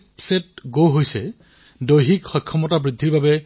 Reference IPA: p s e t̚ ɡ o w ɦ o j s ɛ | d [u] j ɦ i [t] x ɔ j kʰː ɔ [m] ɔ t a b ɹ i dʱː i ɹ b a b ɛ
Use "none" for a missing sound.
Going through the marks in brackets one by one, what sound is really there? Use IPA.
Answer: o, k, m

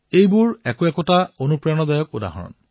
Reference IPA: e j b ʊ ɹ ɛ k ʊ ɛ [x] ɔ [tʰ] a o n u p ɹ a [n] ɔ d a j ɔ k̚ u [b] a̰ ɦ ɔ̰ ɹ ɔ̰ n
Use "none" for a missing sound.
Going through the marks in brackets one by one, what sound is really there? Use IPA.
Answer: k, t, n, d

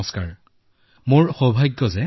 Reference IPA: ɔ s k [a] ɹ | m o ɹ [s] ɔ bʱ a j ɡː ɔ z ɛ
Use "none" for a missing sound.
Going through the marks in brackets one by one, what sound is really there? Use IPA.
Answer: a, x

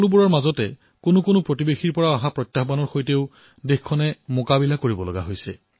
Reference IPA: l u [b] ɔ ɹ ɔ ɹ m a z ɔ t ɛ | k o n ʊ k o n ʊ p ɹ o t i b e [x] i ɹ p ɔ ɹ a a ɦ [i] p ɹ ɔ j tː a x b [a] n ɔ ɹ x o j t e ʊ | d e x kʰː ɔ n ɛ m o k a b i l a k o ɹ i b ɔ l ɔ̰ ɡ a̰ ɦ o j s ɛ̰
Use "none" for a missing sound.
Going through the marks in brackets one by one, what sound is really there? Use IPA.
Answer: b, x, a, a

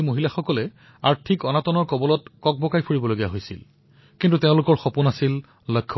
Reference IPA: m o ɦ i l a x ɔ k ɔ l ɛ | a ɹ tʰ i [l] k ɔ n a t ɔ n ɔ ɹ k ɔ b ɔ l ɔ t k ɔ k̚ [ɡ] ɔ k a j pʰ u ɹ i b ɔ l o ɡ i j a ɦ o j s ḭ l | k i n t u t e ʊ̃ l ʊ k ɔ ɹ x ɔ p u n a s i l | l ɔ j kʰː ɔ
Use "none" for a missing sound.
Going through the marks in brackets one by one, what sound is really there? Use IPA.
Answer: none, b

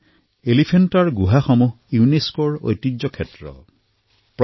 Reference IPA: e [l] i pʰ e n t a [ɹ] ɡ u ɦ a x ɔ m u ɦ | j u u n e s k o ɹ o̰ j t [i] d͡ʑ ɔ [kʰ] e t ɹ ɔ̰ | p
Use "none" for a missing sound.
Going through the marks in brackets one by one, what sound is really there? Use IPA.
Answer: l, ɹ, i, kʰ

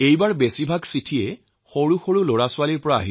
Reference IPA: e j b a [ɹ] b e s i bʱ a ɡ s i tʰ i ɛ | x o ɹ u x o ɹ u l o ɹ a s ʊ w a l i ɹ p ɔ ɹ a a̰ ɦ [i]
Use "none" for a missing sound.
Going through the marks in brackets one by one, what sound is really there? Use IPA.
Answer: ɹ, i

